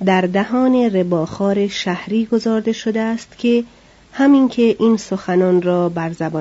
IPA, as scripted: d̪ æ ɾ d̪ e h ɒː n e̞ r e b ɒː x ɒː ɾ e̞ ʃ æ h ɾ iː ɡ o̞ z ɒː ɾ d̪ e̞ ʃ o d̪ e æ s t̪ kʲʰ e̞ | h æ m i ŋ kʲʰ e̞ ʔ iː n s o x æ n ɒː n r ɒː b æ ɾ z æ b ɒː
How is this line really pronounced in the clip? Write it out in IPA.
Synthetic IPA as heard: d̪ æ ɾ d̪ æ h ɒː n e̞ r e b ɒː x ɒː ɾ e̞ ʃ æ h ɾ iː ɡ o̞ z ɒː ɾ d̪ e̞ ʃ o d̪ e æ s t̪ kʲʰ e̞ | h æ m i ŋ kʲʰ e̞ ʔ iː n s o x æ n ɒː n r ɒː b æ ɾ z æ b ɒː